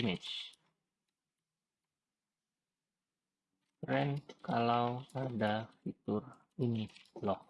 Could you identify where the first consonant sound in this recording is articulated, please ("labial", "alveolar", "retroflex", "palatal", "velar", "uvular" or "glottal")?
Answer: labial